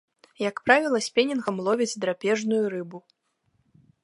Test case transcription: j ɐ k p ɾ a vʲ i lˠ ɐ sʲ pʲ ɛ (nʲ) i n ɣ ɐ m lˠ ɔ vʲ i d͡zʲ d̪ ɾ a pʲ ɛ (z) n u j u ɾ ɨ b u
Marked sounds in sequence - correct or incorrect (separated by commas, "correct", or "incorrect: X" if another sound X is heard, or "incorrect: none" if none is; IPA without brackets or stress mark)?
correct, incorrect: ʐ